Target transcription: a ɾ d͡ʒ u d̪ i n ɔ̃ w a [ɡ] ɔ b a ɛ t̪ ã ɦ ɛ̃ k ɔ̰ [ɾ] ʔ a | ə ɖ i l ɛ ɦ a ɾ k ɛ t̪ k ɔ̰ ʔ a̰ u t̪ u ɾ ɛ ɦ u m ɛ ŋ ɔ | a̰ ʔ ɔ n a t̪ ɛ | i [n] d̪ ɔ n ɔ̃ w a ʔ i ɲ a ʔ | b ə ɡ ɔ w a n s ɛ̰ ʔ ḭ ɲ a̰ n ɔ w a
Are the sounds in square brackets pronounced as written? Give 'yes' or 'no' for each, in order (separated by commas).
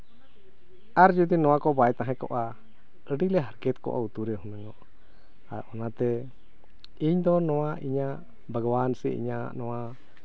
no, no, no